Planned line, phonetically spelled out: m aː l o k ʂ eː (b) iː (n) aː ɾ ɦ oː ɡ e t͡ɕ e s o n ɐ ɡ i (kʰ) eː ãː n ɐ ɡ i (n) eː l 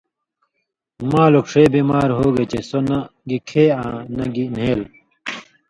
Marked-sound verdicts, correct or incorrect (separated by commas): correct, incorrect, correct, correct